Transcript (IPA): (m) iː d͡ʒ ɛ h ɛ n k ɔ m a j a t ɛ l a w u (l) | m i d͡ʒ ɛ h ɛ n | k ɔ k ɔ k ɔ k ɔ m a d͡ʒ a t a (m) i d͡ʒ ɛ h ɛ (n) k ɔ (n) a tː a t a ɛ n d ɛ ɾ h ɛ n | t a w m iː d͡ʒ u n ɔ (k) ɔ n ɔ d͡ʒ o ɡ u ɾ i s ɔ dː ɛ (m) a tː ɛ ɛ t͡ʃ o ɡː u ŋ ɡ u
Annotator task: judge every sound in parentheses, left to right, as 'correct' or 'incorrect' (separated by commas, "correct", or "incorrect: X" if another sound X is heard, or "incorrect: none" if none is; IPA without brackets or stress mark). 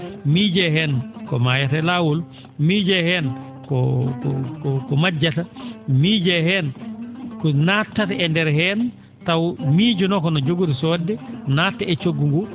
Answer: correct, correct, correct, correct, correct, correct, incorrect: n